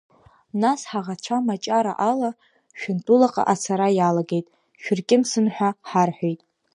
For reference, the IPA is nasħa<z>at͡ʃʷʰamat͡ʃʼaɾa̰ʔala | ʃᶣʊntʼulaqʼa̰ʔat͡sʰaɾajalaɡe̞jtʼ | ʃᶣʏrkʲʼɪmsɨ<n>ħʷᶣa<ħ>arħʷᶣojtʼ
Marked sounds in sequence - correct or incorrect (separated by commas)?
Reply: incorrect, correct, correct